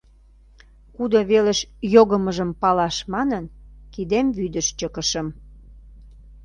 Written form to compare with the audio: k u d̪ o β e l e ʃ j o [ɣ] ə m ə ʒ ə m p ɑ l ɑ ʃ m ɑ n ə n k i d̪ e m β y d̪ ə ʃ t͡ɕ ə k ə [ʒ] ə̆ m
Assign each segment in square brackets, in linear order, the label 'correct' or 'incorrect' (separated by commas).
correct, incorrect